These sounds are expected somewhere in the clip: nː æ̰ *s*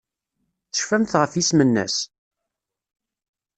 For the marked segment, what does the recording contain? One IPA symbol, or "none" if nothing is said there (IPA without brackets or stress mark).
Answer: s